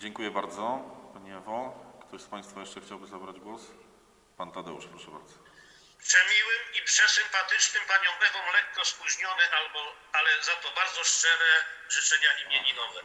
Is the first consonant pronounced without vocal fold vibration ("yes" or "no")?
no